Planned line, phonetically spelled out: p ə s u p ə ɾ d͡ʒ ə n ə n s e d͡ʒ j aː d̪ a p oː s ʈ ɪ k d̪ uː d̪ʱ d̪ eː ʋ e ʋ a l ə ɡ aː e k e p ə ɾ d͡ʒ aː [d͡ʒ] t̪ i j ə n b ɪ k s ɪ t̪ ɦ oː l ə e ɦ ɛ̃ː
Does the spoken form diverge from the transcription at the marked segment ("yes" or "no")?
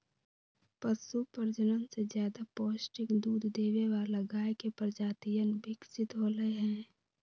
yes